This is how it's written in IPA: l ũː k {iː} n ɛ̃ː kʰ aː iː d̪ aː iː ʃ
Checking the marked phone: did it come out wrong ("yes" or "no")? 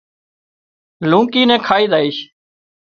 no